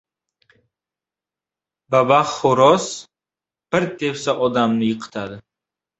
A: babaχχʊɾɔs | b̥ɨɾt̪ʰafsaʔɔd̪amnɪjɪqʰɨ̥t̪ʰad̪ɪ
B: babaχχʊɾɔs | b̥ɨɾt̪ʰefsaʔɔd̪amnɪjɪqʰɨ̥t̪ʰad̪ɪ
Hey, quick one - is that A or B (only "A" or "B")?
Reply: B